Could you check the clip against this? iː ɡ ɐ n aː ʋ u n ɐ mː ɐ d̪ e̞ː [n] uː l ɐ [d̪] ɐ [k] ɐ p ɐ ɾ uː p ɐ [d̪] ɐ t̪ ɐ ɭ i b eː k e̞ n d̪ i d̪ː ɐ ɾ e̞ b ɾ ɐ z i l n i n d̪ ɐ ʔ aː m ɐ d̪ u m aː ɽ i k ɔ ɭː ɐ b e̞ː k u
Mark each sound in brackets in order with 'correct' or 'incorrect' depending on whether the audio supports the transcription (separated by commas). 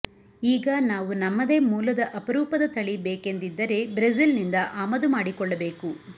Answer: incorrect, correct, incorrect, correct